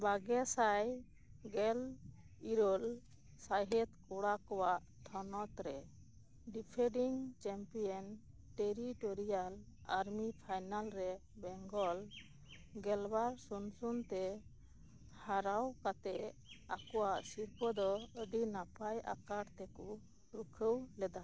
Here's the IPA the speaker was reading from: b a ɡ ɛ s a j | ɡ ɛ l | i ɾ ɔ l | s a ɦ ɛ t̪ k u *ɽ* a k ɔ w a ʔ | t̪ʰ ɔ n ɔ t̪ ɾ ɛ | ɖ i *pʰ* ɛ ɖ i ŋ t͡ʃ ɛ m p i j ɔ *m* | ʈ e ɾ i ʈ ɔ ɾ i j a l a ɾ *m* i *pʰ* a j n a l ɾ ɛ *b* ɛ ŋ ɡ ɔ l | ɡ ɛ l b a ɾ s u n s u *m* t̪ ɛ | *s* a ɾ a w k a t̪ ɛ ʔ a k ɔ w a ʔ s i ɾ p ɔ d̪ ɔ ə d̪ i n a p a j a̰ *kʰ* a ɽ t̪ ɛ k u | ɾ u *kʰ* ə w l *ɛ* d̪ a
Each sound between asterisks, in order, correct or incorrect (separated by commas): correct, correct, incorrect, correct, correct, correct, incorrect, incorrect, incorrect, correct, correct